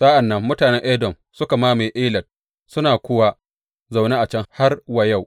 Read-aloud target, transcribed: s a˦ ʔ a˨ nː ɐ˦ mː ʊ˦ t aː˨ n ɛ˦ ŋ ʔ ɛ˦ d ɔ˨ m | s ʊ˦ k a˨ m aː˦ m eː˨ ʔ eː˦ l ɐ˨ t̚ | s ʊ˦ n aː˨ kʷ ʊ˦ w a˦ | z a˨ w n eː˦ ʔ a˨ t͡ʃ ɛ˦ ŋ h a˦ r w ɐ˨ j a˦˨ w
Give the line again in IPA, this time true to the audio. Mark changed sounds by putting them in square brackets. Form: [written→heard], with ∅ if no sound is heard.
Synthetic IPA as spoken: s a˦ ʔ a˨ nː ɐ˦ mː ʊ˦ t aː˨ n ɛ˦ ŋ ʔ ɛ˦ d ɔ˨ m | s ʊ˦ k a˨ m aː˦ m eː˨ ʔ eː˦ l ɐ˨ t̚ | s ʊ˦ n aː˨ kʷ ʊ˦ w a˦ | z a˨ w n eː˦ ʔ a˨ t͡ʃ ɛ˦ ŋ h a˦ r w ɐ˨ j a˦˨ w